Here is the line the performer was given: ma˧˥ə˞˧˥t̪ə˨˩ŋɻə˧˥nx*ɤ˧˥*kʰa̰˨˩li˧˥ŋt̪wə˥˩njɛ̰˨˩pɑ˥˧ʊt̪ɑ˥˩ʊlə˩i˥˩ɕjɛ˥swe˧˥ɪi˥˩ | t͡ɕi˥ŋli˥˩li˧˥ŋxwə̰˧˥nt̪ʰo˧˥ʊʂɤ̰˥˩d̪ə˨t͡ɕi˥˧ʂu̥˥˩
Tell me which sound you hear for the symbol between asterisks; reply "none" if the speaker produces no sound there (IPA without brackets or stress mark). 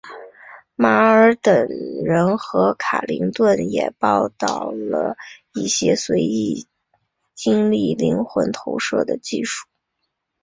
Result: ɤ˧˥